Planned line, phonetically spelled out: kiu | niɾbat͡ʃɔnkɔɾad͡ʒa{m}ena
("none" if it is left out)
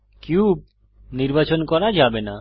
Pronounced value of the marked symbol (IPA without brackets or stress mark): b